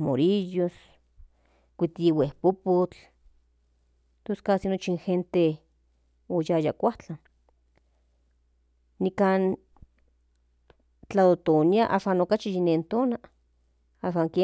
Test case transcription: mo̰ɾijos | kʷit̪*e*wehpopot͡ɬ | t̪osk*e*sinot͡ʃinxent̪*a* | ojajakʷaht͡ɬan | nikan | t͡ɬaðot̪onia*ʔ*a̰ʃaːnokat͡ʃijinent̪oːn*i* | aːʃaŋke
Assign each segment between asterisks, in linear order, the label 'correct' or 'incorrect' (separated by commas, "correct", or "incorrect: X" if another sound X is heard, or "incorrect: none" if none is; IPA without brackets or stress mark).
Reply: incorrect: i, incorrect: a, incorrect: e, correct, incorrect: a